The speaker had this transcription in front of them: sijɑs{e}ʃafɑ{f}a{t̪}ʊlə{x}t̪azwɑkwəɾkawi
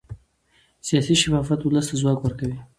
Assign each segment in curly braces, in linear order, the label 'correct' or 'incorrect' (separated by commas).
incorrect, correct, correct, incorrect